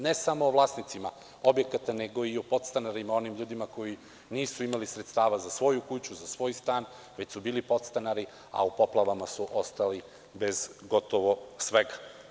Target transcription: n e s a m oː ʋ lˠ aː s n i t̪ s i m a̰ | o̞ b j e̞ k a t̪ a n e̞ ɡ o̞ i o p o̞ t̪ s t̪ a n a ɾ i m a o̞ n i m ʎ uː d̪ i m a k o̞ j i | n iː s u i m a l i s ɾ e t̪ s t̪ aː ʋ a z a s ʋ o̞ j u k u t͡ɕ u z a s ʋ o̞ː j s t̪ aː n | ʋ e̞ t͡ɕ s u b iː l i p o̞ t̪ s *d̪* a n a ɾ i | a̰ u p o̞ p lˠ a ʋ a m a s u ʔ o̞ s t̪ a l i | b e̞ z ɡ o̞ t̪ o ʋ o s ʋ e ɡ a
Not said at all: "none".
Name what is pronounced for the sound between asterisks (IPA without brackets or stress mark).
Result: t̪